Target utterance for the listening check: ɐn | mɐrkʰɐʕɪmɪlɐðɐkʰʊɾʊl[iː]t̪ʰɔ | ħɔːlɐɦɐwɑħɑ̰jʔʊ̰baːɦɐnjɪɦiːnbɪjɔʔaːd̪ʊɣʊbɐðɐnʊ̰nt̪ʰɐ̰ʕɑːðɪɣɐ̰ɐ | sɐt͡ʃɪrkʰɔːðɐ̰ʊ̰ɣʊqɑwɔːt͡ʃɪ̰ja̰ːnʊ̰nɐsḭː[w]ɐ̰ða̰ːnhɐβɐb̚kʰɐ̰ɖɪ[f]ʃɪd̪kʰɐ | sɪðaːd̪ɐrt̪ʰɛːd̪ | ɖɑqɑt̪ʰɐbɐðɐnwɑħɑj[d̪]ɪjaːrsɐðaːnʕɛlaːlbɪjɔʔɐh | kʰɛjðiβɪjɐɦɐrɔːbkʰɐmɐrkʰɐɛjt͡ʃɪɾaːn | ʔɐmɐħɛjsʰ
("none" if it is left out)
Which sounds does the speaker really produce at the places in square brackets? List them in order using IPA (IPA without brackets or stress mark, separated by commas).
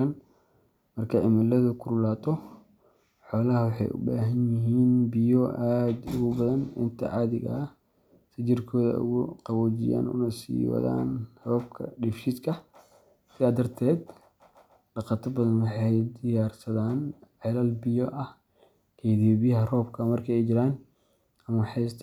aː, w, f, d̪